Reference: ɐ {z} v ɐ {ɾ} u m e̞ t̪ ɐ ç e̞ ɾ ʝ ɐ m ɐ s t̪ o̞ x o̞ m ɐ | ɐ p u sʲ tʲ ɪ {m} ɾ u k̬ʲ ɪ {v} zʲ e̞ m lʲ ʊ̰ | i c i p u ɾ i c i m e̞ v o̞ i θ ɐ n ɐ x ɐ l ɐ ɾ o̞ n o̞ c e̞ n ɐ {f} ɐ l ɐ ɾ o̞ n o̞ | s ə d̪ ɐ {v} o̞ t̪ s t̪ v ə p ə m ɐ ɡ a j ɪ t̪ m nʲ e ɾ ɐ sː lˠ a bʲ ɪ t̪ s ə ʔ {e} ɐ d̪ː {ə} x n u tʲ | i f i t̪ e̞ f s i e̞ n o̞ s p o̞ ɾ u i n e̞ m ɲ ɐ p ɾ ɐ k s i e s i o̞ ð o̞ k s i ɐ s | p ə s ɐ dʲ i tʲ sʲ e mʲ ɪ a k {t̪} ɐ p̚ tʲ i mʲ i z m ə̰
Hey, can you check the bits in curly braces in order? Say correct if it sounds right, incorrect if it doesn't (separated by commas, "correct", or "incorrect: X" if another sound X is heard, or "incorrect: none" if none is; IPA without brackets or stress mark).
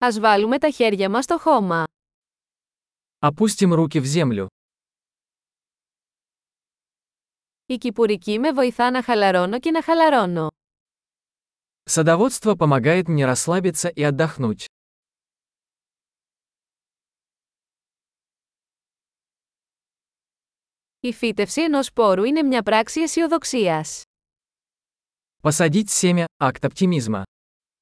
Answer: correct, incorrect: l, correct, correct, incorrect: x, correct, incorrect: i, incorrect: ɐ, correct